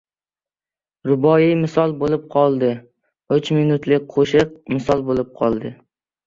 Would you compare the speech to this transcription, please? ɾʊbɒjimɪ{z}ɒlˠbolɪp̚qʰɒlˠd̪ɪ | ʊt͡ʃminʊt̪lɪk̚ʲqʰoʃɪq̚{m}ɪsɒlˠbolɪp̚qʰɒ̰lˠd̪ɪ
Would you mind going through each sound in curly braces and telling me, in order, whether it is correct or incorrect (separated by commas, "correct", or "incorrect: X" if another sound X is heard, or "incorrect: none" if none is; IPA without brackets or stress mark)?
incorrect: s, correct